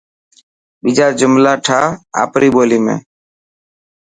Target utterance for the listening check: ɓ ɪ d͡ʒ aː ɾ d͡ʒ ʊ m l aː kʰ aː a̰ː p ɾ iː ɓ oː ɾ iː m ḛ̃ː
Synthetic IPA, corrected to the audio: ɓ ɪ d͡ʒ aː ɾ d͡ʒ ʊ m l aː ʈʰ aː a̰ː p ɾ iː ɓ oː l iː m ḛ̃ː